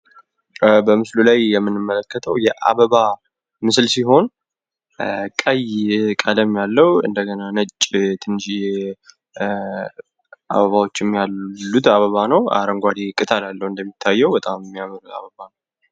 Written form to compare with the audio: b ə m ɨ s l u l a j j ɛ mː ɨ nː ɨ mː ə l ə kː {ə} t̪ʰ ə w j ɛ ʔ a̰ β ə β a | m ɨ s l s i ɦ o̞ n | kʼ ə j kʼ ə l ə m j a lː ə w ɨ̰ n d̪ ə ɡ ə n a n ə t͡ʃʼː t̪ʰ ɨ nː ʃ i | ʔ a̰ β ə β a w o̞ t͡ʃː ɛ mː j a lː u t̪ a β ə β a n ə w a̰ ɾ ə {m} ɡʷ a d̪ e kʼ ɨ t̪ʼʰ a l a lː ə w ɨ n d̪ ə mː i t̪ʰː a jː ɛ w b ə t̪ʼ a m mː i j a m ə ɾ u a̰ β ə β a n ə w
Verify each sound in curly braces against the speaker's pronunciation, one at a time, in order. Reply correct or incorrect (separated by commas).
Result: correct, incorrect